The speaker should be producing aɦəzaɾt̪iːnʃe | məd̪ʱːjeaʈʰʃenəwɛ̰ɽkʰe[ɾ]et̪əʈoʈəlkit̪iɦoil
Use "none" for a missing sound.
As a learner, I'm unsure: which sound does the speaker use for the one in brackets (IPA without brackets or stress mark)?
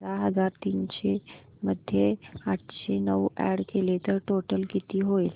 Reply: l